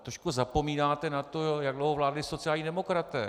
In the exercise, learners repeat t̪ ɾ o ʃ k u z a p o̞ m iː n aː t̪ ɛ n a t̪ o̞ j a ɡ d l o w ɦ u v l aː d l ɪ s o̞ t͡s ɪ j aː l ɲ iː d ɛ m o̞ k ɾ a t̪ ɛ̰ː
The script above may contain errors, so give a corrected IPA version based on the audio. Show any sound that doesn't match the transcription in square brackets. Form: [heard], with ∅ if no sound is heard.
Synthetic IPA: t̪ ɾ o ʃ k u z a p o̞ m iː n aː t̪ ɛ n a t̪ o̞ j a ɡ d l o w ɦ [o] v l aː d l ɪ s o̞ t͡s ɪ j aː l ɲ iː d ɛ m o̞ k ɾ a t̪ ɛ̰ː